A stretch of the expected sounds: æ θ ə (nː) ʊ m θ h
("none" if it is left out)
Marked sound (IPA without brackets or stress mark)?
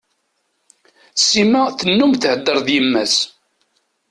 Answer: nː